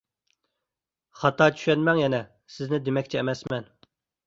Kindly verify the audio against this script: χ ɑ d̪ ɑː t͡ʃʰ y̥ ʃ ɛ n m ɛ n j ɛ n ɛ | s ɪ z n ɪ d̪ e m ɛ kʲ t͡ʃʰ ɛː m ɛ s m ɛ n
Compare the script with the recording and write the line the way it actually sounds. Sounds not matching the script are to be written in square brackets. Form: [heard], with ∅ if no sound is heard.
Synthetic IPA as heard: χ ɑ [t̪] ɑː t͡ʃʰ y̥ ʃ ɛ n m ɛ [ŋ] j ɛ n ɛ | s ɪ z n ɪ d̪ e m ɛ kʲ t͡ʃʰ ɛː m ɛ s m ɛ n

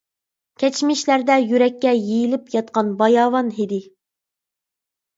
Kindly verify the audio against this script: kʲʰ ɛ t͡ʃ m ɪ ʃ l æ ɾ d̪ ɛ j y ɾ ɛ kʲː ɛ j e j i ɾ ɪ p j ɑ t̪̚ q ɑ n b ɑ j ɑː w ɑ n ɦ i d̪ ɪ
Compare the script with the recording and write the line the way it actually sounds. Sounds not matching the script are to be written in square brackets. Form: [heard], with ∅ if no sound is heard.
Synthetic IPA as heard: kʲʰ ɛ t͡ʃ m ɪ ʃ l æ ɾ d̪ ɛ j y ɾ ɛ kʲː ɛ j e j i [l] ɪ p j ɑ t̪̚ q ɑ n b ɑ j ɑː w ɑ n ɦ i d̪ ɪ

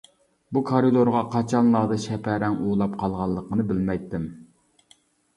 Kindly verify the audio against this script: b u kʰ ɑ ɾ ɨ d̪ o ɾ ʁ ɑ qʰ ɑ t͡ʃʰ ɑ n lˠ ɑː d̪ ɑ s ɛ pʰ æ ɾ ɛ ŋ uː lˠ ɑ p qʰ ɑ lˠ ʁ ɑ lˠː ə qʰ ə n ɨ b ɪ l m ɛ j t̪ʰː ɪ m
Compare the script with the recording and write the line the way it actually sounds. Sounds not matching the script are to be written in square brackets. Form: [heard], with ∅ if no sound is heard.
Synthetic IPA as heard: b u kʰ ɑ ɾ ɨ d̪ o ɾ ʁ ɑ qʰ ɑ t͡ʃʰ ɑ n lˠ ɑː d̪ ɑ [ʃ] ɛ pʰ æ ɾ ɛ ŋ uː lˠ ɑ p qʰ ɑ lˠ ʁ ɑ lˠː ə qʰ ə n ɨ b ɪ l m ɛ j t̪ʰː ɪ m

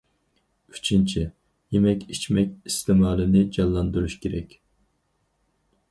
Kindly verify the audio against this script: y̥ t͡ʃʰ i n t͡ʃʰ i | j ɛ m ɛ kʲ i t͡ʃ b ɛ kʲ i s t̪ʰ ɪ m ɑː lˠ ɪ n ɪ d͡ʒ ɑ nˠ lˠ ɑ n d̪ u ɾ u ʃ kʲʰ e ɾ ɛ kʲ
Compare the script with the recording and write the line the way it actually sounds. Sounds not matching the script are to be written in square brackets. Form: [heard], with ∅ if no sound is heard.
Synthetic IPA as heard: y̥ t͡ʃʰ i n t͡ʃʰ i | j [e] m ɛ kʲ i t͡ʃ [m] ɛ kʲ i s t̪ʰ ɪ m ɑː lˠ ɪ n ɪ d͡ʒ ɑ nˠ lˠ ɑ n d̪ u ɾ u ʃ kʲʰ e ɾ ɛ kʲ

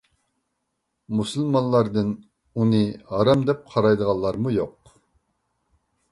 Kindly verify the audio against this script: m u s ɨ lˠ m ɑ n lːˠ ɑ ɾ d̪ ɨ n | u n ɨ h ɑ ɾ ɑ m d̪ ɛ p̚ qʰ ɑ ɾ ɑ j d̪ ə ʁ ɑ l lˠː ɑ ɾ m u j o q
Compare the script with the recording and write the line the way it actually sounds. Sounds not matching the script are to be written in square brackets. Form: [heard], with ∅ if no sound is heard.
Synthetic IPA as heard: m u s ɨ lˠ m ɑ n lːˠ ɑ ɾ d̪ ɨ n | u n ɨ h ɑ ɾ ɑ m d̪ ɛ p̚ qʰ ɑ ɾ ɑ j d̪ ə ʁ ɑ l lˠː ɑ ɾ m u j o q

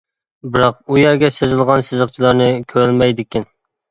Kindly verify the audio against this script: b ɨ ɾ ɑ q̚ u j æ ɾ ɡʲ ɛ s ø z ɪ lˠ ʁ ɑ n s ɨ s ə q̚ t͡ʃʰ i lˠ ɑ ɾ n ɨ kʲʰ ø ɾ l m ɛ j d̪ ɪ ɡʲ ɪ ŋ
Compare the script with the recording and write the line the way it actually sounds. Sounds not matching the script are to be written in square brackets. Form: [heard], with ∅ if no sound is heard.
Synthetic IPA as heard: b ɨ ɾ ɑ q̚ u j æ ɾ ɡʲ ɛ s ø z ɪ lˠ ʁ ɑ n s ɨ [z] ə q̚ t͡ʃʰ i lˠ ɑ ɾ n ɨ kʲʰ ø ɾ l m ɛ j d̪ ɪ [kʲ] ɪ [n]

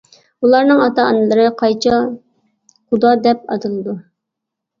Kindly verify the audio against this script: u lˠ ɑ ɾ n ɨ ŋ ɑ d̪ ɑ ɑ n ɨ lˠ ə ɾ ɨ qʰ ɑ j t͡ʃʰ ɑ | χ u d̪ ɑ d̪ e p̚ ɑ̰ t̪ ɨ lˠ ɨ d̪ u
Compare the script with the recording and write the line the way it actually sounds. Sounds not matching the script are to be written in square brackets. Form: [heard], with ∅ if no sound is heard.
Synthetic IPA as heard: u lˠ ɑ ɾ n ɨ ŋ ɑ [t̪] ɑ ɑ n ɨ lˠ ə ɾ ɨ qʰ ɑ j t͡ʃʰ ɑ | χ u d̪ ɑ d̪ [ɛ] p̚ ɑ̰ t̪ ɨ lˠ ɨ d̪ u

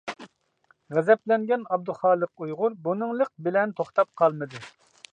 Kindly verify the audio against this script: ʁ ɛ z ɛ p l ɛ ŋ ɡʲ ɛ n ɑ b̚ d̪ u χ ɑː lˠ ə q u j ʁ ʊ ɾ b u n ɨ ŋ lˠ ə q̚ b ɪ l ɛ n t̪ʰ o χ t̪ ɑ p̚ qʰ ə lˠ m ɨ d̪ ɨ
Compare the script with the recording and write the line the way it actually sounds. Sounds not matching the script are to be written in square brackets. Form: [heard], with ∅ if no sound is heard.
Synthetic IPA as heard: ʁ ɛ z ɛ p l ɛ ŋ ɡʲ ɛ n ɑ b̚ d̪ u χ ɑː lˠ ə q u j ʁ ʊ ɾ b u n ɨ ŋ lˠ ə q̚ b ɪ l ɛ n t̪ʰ o χ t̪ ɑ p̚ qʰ [ɑ] lˠ m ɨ d̪ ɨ

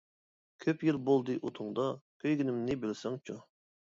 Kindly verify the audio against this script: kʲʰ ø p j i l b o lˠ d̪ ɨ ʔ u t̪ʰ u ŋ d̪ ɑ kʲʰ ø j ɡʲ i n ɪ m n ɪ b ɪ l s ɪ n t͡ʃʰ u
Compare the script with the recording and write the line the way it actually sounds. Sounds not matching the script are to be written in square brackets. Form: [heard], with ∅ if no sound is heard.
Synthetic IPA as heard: kʲʰ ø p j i l b o lˠ d̪ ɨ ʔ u t̪ʰ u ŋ d̪ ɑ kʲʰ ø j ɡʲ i n ɪ m n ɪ b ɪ l s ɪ [ŋ] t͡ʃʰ u

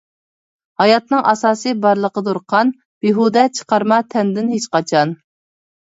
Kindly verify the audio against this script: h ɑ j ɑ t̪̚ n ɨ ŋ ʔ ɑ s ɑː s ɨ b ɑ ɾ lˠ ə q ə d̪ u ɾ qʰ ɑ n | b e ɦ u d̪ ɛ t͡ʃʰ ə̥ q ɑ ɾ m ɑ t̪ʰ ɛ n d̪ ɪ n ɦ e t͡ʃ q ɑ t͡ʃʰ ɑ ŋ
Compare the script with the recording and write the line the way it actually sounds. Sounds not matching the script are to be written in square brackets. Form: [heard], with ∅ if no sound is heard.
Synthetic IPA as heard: h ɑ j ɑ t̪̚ n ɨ ŋ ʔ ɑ s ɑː s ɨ b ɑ ɾ lˠ ə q ə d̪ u ɾ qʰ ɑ n | b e ɦ u d̪ ɛ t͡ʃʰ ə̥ q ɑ ɾ m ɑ t̪ʰ ɛ n d̪ ɪ n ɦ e t͡ʃ q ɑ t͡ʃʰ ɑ [n]

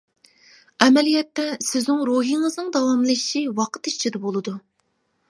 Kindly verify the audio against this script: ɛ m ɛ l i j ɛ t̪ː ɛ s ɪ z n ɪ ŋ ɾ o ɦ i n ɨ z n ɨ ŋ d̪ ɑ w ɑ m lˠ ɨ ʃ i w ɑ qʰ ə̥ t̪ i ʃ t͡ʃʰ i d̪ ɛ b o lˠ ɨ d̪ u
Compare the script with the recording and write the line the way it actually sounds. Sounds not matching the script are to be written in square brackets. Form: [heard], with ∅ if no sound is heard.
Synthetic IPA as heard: ɛ m ɛ l i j ɛ t̪ː ɛ s ɪ z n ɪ ŋ ɾ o ɦ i [ŋ] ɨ z n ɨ ŋ d̪ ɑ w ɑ m lˠ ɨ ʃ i w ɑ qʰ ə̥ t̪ i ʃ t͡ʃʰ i d̪ ɛ b o lˠ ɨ d̪ u

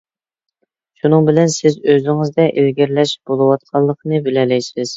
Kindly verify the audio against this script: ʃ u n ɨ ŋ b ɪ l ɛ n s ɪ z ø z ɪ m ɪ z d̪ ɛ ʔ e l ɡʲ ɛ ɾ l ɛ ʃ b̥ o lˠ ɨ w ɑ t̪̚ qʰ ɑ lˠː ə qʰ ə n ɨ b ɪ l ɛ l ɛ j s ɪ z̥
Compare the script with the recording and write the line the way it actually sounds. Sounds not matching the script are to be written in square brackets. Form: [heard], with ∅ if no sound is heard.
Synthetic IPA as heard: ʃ u n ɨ ŋ b ɪ l ɛ n s ɪ z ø z ɪ [ŋ] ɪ z d̪ ɛ ʔ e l ɡʲ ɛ ɾ l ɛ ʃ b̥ o lˠ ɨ w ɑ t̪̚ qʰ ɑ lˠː ə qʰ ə n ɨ b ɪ l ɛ l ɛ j s ɪ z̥

